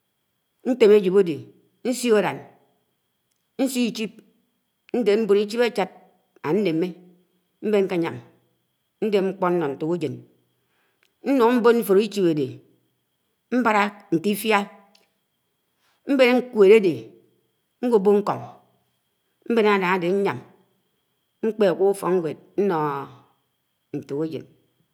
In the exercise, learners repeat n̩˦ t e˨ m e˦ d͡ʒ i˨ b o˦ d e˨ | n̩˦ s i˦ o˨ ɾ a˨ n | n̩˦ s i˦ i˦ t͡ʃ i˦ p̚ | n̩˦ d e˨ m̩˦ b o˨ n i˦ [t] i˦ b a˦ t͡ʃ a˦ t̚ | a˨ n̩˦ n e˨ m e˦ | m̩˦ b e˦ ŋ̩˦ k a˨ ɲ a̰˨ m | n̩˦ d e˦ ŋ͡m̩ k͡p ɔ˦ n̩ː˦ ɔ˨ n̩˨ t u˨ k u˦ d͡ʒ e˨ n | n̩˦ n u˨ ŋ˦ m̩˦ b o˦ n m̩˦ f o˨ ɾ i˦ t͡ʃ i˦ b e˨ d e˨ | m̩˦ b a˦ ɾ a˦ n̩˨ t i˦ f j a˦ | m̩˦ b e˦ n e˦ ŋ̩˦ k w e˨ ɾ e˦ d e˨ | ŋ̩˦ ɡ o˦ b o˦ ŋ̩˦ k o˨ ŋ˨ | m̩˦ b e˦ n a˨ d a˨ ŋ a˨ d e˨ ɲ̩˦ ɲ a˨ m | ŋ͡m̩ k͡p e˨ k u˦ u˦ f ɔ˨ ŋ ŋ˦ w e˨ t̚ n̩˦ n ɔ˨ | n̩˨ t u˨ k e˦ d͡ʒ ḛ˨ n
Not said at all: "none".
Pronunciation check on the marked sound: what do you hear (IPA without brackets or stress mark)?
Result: t͡ʃ